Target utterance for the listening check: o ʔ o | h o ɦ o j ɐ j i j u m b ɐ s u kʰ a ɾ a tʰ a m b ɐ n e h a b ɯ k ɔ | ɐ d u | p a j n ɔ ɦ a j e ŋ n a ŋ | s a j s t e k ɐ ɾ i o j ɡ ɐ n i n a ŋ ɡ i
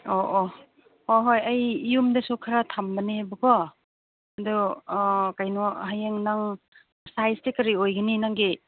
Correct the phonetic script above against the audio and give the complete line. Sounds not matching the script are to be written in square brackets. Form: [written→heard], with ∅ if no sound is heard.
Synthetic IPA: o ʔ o | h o ɦ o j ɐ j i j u m [b→d] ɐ s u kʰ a ɾ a tʰ a m b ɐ n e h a b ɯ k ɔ | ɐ d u | [p→k] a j n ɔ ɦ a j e ŋ n a ŋ | s a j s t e k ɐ ɾ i o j ɡ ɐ n i n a ŋ ɡ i